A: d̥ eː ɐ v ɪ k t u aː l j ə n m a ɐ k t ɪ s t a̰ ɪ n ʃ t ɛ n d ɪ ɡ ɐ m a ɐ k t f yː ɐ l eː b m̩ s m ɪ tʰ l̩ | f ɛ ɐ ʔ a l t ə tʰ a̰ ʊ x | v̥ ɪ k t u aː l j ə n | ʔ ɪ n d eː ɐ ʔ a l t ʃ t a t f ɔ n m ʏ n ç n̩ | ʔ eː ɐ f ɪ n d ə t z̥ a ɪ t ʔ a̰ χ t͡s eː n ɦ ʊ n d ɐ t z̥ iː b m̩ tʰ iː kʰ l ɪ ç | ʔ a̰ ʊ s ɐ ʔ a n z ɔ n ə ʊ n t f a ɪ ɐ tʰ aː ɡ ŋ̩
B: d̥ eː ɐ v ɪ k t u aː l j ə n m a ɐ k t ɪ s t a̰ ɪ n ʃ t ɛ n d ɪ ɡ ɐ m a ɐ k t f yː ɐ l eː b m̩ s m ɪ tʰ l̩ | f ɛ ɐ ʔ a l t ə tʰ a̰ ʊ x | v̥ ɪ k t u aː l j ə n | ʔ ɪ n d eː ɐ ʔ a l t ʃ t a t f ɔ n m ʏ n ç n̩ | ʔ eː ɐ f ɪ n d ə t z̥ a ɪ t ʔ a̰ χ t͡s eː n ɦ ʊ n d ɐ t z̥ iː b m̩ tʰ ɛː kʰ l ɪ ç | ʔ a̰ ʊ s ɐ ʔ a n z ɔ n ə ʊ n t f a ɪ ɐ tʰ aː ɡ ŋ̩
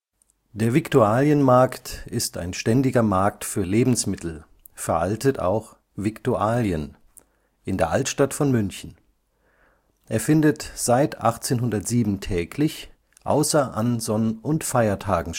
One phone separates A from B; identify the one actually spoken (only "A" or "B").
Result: B